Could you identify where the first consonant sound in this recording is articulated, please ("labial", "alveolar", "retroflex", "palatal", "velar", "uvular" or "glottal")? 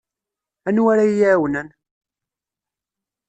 alveolar